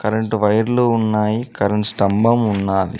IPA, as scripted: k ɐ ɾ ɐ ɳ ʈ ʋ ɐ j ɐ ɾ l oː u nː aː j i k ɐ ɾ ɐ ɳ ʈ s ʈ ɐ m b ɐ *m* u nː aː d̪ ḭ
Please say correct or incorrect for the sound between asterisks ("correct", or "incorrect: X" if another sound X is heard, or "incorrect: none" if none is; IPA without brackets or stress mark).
correct